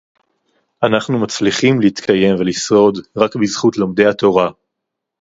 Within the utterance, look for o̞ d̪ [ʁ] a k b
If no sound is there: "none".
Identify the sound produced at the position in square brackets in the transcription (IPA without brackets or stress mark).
ʁ